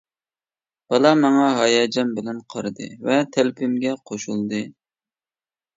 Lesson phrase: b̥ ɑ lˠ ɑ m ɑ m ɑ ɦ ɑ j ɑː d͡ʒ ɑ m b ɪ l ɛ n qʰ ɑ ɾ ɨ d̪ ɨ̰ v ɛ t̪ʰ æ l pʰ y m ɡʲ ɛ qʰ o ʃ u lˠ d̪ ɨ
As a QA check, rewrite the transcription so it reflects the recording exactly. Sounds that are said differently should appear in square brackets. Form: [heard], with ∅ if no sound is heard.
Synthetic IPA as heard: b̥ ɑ lˠ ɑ m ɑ [ŋ] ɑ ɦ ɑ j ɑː d͡ʒ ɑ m b ɪ l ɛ n qʰ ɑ ɾ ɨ d̪ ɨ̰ v ɛ t̪ʰ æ l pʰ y m ɡʲ ɛ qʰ o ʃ u lˠ d̪ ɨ